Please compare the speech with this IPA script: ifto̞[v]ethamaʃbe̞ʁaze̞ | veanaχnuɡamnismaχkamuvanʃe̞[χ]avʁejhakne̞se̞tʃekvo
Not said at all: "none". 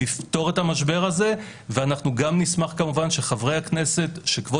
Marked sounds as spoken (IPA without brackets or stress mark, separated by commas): ʁ, χ